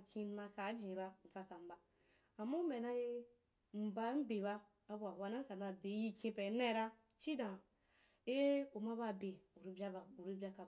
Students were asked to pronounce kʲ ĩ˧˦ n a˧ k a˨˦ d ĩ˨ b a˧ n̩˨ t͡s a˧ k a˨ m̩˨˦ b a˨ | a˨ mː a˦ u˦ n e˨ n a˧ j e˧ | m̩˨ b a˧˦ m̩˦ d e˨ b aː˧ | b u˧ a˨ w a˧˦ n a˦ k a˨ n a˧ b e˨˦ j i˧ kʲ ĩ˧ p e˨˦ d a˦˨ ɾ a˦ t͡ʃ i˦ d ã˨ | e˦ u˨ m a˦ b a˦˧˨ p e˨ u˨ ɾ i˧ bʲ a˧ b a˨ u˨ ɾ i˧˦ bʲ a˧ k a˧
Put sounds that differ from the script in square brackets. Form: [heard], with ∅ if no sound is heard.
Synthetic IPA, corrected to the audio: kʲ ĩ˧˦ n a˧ k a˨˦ [d͡ʒ] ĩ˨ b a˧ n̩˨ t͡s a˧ k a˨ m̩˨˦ b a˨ | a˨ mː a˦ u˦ [m] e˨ n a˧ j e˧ | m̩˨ b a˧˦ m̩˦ [b] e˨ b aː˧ | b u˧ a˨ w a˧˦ n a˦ k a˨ n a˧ b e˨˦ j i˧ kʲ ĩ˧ p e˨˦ [n] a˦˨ ɾ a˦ t͡ʃ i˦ d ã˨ | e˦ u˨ m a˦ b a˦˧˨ [b] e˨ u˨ ɾ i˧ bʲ a˧ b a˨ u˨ ɾ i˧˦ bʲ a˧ k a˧